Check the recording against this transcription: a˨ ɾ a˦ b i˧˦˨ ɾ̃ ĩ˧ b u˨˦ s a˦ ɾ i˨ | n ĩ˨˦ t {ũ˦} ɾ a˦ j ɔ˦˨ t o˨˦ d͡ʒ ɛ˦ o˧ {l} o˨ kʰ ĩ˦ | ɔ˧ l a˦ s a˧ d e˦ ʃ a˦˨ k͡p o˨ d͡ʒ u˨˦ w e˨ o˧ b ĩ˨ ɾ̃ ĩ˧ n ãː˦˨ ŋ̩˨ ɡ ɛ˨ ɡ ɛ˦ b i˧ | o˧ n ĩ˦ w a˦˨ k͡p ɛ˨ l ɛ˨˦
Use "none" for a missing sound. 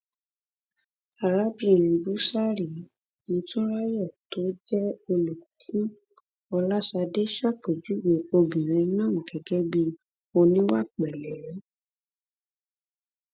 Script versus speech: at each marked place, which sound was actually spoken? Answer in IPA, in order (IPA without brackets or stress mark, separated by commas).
ũ˦, l